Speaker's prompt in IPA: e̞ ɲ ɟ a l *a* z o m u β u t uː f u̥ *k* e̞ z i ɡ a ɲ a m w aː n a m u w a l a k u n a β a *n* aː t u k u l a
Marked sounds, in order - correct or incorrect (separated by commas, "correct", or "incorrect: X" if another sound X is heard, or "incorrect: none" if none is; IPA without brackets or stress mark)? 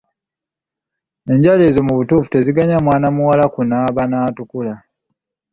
incorrect: e, incorrect: t, correct